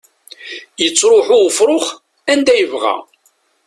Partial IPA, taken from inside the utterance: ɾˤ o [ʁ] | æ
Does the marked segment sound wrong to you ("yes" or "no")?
yes